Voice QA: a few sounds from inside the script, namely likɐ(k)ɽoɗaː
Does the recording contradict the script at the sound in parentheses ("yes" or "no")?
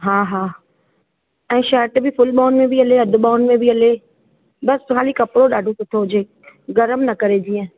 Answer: yes